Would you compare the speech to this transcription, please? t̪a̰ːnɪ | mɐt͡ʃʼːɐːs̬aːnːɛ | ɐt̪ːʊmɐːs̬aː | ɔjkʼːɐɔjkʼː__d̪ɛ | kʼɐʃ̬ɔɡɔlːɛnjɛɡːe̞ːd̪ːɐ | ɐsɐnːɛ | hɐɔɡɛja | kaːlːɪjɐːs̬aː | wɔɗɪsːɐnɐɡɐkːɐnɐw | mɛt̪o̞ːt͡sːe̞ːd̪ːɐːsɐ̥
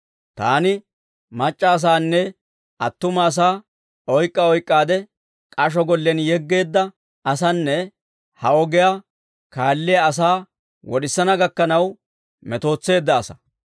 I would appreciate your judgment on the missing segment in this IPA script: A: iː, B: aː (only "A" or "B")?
B